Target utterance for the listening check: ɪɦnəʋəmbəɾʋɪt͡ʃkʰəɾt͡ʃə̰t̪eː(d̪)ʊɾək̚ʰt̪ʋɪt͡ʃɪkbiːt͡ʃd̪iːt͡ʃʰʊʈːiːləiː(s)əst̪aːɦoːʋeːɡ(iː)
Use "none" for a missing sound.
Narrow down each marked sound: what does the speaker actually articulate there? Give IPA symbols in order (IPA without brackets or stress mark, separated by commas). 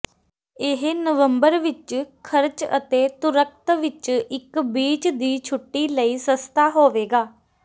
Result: t̪, s, aː